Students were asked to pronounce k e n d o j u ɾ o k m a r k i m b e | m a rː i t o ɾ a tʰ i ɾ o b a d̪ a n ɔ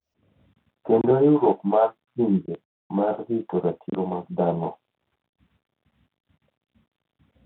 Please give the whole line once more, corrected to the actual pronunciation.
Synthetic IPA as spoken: k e n d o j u ɾ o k m a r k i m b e | m a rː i t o ɾ a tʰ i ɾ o m a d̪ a n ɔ